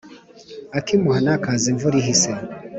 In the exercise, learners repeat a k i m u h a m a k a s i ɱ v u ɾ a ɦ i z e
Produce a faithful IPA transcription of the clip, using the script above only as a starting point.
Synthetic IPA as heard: a k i m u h a n a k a z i ɱ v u ɾ i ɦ i s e